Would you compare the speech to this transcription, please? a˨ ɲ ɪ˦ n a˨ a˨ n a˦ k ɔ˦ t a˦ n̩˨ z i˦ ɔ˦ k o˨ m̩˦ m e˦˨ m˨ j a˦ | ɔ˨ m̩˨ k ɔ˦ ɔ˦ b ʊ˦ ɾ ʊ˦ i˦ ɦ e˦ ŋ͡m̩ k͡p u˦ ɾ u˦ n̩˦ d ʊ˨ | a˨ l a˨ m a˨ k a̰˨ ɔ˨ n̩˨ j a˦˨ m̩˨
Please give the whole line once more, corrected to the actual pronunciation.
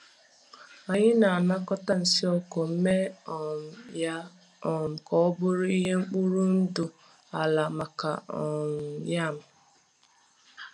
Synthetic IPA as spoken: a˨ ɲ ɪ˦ n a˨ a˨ n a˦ k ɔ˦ t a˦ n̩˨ s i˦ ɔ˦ k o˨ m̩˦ m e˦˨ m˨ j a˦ | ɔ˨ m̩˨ k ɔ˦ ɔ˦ b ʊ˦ ɾ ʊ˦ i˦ ɦ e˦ ŋ͡m̩ k͡p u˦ ɾ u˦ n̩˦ d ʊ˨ | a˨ l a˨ m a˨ k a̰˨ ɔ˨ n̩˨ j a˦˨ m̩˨